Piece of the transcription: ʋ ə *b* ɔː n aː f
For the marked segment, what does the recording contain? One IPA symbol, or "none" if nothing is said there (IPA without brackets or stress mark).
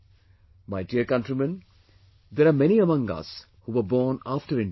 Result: b